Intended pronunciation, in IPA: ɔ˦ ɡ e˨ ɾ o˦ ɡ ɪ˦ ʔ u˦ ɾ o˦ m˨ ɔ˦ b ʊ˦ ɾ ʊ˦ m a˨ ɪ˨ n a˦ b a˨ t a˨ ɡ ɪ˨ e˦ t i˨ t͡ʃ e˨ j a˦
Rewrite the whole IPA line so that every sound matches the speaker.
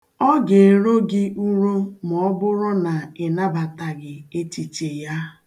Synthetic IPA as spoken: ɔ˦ ɡ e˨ ɾ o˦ ɡ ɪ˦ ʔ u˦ ɾ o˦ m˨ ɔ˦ b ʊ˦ ɾ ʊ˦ n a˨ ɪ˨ n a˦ b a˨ t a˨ ɡ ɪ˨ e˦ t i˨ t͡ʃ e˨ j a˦